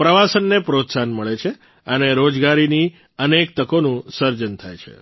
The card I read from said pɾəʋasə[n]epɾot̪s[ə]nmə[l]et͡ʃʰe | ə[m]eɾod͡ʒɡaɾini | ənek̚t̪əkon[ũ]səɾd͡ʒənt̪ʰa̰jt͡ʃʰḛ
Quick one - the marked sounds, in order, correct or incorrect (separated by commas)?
incorrect, incorrect, incorrect, incorrect, correct